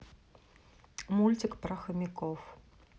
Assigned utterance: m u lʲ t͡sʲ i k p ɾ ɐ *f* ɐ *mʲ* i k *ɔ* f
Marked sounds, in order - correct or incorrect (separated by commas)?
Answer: incorrect, correct, correct